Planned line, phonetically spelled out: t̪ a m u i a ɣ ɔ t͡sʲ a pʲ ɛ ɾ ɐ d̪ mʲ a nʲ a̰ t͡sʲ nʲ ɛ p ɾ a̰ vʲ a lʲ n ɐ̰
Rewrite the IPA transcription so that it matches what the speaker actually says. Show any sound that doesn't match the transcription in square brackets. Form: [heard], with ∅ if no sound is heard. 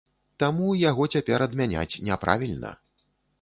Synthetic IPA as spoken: t̪ a m u [j] a ɣ ɔ t͡sʲ a pʲ ɛ ɾ ɐ d̪ mʲ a nʲ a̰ t͡sʲ nʲ ɛ p ɾ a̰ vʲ [i] lʲ n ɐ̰

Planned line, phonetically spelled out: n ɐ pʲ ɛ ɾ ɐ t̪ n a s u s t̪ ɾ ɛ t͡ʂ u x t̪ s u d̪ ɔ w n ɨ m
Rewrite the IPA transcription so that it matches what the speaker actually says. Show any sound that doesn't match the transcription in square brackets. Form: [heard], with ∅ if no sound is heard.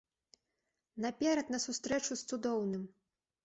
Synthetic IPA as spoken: n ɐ pʲ ɛ ɾ ɐ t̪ n [ɐ] s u s t̪ ɾ ɛ t͡ʂ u [s] t̪ s u d̪ ɔ w n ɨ m

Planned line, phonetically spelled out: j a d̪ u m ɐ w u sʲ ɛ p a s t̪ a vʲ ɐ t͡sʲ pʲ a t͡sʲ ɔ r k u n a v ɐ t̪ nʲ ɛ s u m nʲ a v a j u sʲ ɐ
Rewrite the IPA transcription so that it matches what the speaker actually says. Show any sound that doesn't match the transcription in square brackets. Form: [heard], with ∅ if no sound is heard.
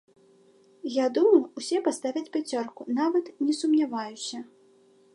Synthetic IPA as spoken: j a d̪ u m ɐ w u sʲ ɛ p a s t̪ a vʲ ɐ t͡sʲ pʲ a t͡sʲ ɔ r k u n a v ɐ t̪ nʲ ɛ s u m nʲ a v a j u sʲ ɐ

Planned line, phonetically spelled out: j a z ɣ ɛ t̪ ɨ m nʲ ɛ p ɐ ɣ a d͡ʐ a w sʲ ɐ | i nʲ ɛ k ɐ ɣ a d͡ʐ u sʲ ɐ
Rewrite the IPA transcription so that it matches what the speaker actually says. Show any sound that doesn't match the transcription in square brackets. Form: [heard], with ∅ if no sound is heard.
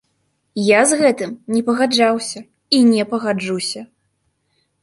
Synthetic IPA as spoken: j a z ɣ ɛ t̪ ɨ m nʲ ɛ p ɐ ɣ a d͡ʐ a w sʲ ɐ | i nʲ ɛ [p] ɐ ɣ a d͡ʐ u sʲ ɐ

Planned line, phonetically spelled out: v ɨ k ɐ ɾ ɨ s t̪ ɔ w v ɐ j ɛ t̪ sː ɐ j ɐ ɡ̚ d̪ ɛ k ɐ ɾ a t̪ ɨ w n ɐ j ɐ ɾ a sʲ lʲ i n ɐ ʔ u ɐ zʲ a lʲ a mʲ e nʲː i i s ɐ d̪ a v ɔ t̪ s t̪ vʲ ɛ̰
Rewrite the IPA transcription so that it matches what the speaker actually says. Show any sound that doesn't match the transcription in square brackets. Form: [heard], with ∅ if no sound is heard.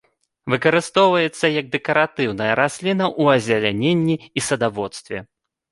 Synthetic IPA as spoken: v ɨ k ɐ ɾ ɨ s t̪ ɔ w v ɐ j ɛ t̪ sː ɐ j ɐ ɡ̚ d̪ ɛ k ɐ ɾ a t̪ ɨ w n ɐ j ɐ ɾ a sʲ lʲ i n ɐ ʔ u ɐ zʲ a lʲ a [nʲ] e nʲː i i s ɐ d̪ a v ɔ t̪ s t̪ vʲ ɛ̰

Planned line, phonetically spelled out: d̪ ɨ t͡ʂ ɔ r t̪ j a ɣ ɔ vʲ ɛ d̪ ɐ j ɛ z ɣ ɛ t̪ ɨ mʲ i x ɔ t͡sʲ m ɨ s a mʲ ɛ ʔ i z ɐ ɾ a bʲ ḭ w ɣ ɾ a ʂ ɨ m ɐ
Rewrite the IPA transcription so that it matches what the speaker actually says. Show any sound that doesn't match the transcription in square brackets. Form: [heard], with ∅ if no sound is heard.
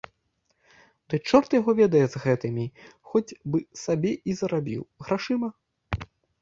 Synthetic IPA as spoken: d̪ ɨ t͡ʂ ɔ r t̪ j a ɣ ɔ vʲ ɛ d̪ ɐ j ɛ z ɣ ɛ t̪ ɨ mʲ i x ɔ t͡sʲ [b] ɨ s a [bʲ] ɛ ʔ i z ɐ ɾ a bʲ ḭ w ɣ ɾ a ʂ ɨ m ɐ

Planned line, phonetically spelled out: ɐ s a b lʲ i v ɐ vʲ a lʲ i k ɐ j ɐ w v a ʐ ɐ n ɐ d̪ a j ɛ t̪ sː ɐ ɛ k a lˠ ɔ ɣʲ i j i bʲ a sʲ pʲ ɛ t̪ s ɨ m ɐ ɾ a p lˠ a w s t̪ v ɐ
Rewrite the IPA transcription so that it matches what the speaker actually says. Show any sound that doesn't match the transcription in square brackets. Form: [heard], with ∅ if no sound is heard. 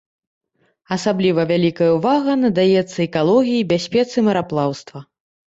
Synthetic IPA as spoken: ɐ s a b lʲ i v ɐ vʲ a lʲ i k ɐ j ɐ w v a [ɣ] ɐ n ɐ d̪ a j ɛ t̪ sː ɐ ɛ k a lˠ ɔ ɣʲ i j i bʲ a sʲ pʲ ɛ t̪ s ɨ m ɐ ɾ a p lˠ a w s t̪ v ɐ

